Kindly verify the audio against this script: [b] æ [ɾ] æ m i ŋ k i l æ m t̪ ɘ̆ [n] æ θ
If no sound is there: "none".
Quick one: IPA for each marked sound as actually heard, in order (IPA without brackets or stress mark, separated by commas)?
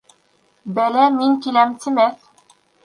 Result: b, l, m